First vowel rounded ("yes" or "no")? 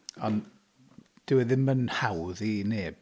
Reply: yes